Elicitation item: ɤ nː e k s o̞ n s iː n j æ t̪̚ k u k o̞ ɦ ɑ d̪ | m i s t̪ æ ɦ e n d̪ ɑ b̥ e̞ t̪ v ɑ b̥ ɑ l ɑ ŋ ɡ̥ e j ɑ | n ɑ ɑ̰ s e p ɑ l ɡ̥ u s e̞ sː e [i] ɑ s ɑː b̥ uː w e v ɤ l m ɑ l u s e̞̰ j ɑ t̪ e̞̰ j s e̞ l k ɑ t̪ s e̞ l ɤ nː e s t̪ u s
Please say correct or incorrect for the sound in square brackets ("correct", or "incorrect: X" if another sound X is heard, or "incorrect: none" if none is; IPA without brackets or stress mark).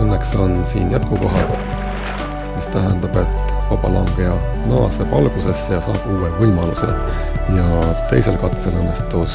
incorrect: j